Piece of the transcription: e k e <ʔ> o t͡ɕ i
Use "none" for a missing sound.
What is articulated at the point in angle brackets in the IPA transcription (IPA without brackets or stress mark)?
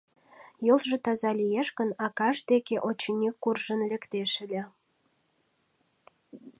ʔ